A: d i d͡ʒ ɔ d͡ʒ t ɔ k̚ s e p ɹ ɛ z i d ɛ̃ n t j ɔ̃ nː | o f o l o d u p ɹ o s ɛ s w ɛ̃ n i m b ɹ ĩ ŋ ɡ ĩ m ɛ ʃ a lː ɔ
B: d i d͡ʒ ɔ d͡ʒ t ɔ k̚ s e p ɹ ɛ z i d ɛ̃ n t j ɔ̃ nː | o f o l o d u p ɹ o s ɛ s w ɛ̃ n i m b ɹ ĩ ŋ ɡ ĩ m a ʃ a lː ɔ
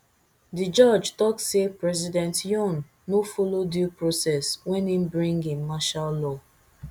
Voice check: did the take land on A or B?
B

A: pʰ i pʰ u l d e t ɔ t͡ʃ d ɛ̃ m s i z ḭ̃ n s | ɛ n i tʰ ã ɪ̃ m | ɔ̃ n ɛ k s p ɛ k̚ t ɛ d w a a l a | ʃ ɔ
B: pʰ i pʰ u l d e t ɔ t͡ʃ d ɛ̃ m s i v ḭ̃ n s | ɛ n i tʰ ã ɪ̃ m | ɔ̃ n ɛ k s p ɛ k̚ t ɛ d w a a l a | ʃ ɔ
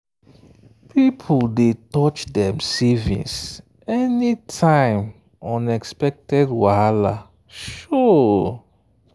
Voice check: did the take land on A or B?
B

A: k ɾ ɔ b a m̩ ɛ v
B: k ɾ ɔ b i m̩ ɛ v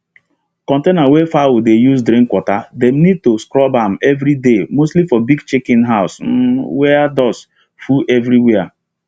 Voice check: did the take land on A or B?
A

